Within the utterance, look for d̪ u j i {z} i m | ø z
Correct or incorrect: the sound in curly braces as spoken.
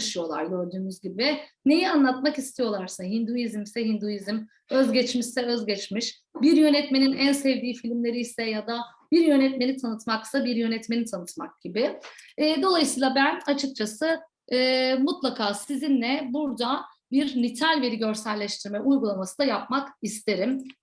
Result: correct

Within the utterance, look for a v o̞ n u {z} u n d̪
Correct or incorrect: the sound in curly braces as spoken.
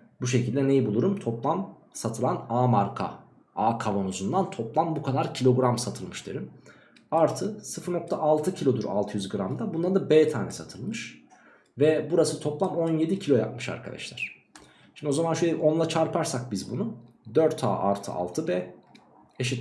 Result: correct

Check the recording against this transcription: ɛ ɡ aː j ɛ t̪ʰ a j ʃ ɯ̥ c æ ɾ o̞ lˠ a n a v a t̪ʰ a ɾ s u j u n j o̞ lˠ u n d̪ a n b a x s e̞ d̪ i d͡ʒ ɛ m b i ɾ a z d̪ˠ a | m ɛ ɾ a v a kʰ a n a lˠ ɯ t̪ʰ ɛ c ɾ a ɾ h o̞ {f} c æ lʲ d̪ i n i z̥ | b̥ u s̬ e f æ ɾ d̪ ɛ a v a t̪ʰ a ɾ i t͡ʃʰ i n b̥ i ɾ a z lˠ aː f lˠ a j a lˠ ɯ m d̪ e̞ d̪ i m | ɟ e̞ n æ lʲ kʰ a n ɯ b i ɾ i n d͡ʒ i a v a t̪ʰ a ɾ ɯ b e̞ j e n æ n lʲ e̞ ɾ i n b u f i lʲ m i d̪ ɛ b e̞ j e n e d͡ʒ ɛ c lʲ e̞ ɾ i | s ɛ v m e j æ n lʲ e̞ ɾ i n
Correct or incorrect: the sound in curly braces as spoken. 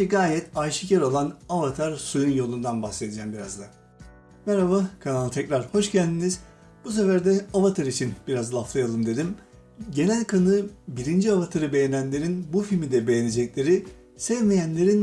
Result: incorrect: ʃ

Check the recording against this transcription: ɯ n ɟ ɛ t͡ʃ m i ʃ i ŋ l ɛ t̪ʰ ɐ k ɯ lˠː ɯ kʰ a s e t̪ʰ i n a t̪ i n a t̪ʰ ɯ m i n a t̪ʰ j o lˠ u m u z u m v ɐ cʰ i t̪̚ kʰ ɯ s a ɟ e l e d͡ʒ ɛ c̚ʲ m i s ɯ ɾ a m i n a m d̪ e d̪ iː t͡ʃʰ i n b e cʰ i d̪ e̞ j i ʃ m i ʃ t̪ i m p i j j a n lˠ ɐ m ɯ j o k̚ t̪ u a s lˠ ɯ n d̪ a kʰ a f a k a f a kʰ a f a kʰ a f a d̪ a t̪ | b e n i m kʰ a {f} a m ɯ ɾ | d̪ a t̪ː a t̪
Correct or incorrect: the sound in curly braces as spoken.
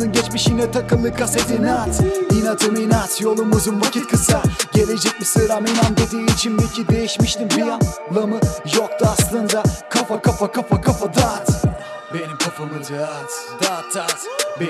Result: correct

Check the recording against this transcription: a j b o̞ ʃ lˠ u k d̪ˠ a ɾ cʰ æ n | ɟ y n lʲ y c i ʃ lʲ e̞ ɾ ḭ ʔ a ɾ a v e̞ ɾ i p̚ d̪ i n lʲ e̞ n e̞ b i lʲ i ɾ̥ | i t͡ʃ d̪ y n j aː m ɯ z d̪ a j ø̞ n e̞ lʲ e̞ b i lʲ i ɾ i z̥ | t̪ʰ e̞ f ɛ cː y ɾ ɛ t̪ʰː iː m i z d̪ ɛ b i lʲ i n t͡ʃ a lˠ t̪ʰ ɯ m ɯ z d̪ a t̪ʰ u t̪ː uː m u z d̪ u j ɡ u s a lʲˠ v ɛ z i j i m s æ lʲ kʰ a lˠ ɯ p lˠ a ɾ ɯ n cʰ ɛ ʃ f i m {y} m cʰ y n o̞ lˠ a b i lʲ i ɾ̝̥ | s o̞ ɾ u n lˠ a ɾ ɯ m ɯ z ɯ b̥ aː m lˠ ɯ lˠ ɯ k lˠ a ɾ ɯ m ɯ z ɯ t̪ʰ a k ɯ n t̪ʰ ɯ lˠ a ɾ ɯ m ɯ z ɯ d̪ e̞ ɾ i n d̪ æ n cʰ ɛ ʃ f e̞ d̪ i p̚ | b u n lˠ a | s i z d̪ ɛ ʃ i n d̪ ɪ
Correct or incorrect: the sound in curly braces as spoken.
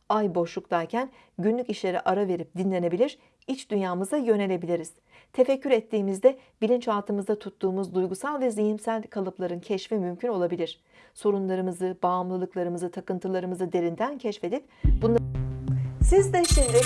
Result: correct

